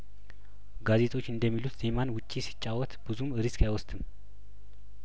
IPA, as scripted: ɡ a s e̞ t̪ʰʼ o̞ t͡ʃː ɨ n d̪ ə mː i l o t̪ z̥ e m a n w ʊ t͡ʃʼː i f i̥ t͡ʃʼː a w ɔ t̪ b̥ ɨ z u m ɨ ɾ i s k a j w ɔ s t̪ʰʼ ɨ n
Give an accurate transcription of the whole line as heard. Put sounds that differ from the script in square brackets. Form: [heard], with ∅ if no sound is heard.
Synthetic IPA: ɡ a [z] e̞ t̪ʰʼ o̞ t͡ʃː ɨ n d̪ ə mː i l [u] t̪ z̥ e m a n w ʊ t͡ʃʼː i [s] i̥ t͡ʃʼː a w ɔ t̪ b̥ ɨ z u m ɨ ɾ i s k a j w ɔ s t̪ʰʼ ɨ [m]